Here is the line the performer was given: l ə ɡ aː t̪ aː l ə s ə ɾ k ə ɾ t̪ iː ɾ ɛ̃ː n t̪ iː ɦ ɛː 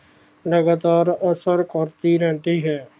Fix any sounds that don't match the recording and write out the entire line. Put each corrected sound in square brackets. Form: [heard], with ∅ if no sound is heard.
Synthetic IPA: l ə ɡ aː t̪ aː [ɾ] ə s ə ɾ k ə ɾ t̪ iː ɾ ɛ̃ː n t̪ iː ɦ ɛː